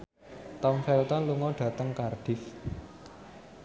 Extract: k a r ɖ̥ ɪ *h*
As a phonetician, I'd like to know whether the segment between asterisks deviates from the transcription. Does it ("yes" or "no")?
yes